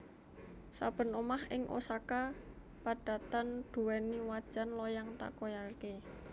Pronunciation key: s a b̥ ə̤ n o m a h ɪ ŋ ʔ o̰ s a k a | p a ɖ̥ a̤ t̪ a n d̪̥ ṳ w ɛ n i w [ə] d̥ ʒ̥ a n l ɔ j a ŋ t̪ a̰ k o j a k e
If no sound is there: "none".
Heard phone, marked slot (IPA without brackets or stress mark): a